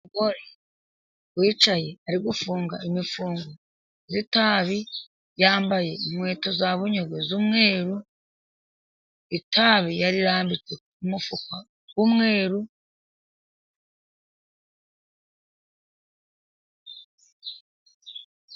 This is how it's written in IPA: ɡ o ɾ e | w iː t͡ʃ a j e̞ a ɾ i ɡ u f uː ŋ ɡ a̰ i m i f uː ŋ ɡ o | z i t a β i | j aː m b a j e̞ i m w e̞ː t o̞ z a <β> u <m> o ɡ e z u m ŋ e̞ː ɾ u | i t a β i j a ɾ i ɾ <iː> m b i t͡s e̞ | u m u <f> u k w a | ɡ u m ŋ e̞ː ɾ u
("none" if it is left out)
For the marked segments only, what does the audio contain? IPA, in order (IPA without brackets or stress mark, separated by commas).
β, ɲ, aː, f